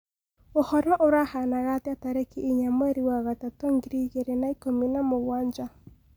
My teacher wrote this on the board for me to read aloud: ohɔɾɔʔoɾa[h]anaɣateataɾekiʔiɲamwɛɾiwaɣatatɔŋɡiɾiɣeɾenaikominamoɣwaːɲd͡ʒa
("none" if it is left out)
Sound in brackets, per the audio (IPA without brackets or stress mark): h